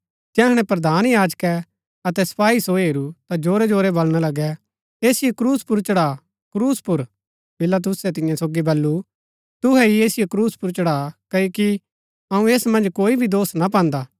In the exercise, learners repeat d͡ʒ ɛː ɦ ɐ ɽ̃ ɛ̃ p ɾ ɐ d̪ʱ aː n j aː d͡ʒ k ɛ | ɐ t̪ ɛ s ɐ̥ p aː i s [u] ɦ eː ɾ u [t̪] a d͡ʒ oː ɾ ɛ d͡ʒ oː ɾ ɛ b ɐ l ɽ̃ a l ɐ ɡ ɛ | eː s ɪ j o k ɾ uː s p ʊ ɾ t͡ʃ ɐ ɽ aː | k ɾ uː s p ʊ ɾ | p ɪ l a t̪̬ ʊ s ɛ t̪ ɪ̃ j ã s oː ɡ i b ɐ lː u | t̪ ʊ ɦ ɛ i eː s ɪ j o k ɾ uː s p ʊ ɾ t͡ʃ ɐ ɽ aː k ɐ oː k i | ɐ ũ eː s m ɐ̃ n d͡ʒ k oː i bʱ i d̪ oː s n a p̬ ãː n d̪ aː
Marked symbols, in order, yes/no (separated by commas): no, yes